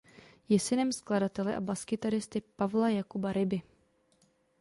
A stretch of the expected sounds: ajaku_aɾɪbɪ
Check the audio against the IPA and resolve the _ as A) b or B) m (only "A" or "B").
A